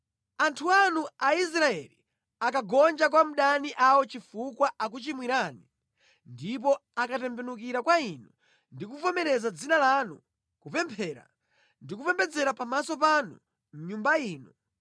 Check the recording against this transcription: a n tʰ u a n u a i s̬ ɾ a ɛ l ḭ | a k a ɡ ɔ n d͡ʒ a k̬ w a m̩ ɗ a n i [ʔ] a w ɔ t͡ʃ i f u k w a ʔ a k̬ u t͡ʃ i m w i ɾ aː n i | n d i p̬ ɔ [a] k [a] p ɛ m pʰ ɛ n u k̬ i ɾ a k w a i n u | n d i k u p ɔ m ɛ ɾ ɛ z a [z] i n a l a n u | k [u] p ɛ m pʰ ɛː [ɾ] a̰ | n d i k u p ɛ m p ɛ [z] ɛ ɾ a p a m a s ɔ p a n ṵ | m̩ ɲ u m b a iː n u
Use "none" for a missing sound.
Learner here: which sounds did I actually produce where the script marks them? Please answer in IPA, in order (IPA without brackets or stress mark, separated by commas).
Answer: ʔ, a, a, d͡z, u, ɾ, d͡z